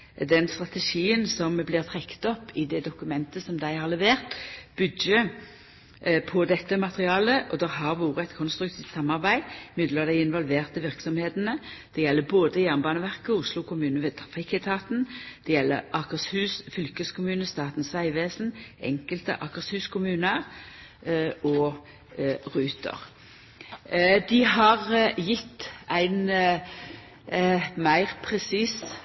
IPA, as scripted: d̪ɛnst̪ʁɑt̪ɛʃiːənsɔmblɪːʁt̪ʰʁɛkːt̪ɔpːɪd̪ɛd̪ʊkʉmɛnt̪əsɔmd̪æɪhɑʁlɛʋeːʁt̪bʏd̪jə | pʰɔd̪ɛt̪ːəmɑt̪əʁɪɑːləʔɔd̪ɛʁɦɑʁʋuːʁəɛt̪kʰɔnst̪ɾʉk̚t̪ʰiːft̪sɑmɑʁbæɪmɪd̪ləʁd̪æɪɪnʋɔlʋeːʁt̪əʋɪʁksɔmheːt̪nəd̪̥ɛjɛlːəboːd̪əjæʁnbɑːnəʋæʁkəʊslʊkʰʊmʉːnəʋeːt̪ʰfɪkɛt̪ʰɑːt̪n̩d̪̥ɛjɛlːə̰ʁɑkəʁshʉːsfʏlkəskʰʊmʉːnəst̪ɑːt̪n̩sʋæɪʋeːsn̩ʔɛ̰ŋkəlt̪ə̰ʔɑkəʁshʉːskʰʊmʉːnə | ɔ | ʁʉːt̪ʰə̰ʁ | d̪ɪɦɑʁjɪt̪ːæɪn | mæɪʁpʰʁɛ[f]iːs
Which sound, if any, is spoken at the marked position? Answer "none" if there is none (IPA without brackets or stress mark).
s